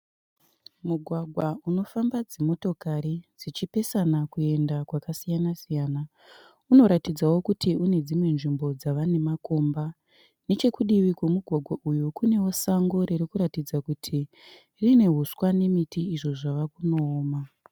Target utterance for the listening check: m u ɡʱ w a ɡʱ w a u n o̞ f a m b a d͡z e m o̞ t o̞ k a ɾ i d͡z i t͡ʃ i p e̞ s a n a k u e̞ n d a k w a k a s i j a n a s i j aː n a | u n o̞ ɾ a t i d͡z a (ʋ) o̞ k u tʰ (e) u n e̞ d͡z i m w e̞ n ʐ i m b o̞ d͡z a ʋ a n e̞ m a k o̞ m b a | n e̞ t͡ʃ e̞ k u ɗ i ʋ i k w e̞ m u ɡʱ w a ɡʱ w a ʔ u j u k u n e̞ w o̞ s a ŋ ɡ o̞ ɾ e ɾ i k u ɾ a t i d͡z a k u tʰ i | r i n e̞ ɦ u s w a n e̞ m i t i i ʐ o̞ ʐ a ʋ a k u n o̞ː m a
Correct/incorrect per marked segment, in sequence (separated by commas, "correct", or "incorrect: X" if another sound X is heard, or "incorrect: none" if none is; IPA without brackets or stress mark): incorrect: w, incorrect: i